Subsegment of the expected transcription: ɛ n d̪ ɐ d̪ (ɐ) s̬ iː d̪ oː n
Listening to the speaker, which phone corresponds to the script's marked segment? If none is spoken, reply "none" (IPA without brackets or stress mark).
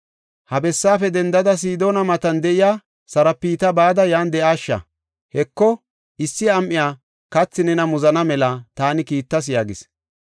ɐ